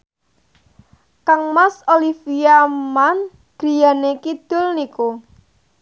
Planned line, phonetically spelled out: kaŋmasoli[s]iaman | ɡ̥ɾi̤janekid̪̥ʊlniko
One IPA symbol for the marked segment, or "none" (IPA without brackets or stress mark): f